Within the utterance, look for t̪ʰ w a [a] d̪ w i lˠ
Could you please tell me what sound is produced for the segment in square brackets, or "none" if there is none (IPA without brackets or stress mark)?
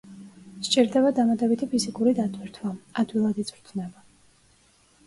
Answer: a